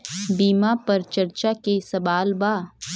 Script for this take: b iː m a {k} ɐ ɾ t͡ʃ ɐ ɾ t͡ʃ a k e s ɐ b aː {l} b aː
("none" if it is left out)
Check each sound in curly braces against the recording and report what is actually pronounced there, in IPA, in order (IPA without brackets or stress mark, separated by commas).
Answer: p, l